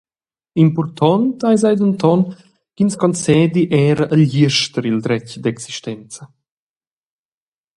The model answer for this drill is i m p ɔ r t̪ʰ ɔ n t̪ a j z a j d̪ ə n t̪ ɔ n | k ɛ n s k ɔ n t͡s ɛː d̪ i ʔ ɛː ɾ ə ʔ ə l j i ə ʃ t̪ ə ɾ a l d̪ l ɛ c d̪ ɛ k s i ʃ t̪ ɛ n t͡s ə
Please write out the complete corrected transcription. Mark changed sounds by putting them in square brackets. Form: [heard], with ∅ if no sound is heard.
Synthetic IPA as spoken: i m p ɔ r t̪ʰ ɔ n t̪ a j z a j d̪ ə n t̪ ɔ n | k [i] n s k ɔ n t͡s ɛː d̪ i ʔ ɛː ɾ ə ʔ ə l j i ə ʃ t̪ ə ɾ [i] l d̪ [ɾ] ɛ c d̪ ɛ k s i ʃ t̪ ɛ n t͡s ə